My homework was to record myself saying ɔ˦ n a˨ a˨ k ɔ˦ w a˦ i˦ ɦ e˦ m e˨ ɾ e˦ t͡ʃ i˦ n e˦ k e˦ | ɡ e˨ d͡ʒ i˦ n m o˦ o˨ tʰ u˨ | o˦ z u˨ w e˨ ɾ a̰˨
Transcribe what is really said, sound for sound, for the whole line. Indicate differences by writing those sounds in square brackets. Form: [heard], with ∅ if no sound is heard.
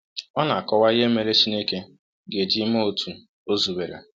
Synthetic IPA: ɔ˦ n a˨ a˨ k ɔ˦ w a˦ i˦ ɦ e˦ m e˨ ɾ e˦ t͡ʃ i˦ n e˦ k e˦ | ɡ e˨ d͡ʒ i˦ [∅] m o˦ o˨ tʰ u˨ | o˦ z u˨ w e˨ ɾ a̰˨